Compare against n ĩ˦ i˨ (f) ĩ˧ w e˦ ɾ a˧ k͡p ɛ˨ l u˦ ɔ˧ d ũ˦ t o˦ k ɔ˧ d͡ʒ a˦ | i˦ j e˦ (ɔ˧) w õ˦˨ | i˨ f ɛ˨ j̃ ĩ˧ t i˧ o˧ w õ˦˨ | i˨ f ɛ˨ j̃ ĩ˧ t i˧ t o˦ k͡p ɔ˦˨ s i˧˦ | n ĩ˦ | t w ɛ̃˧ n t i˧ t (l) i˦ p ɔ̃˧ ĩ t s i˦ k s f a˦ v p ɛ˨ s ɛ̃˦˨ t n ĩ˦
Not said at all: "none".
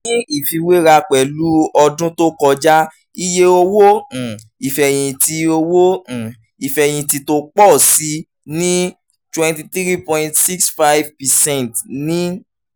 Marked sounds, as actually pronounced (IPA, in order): f, o˧, ɾ

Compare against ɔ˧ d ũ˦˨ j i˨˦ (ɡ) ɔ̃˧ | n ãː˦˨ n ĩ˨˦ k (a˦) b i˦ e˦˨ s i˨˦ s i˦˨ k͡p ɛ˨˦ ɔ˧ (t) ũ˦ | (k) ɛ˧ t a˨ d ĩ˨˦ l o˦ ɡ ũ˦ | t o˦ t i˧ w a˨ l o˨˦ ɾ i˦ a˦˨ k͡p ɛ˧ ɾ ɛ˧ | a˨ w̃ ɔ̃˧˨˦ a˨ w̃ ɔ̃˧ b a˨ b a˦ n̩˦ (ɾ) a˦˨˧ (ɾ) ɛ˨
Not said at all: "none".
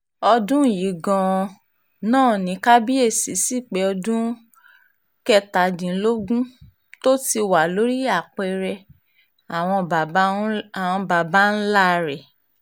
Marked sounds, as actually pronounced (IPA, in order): ɡ, a˦, d, k, l, ɾ

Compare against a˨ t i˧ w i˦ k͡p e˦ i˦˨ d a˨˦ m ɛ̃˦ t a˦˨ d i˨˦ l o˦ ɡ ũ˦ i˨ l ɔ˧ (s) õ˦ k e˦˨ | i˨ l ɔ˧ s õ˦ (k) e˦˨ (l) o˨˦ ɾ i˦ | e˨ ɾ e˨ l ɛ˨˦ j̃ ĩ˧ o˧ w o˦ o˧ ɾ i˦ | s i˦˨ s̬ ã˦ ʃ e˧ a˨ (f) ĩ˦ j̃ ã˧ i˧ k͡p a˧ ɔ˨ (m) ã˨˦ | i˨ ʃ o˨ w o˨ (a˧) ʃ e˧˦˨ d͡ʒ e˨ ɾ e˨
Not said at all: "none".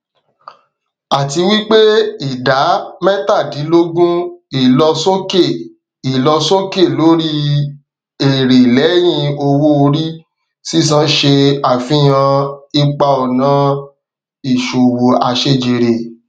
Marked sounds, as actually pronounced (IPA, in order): s, k, l, f, n, a˧

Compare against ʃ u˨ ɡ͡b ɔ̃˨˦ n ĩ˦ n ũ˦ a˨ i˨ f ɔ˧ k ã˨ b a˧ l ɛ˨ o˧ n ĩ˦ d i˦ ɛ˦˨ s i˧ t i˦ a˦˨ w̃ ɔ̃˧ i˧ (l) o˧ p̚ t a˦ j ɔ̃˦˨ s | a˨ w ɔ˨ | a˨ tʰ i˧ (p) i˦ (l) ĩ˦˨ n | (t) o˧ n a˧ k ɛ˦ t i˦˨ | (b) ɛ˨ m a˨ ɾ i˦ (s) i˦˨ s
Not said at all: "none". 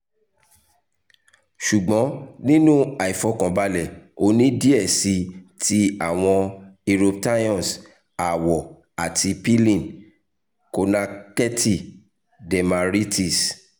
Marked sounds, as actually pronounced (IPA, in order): ɾ, p, l, k, d, t

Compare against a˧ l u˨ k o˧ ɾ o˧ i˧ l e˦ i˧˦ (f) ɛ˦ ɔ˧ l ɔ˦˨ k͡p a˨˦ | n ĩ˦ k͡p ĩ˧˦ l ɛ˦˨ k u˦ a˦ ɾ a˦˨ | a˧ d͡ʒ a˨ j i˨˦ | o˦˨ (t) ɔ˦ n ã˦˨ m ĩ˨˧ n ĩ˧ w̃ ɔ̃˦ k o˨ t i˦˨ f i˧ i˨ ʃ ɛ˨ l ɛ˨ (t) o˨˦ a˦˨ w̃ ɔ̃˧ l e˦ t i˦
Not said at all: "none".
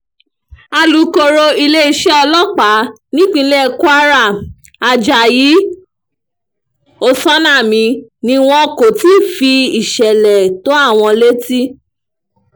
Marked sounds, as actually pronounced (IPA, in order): ʃ, s, t

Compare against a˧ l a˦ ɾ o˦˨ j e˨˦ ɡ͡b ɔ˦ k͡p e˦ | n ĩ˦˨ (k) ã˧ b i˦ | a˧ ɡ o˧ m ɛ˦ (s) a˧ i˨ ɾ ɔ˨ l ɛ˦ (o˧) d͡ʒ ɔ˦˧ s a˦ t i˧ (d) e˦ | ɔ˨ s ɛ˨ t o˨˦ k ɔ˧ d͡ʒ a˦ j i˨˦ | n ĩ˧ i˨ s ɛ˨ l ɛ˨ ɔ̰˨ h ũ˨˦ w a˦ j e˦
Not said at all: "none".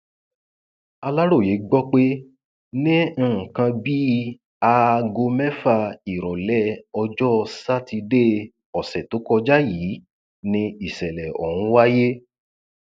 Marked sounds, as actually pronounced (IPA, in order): k, f, ɔ˧, d

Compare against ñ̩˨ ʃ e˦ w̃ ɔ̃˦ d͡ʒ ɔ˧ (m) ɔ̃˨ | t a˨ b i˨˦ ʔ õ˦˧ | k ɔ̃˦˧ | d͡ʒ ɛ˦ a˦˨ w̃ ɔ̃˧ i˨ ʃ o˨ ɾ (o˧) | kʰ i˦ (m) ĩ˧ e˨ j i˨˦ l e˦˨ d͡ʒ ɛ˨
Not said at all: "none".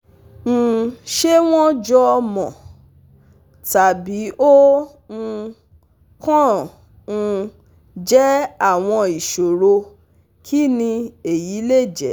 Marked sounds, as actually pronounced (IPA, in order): m, o˧, n

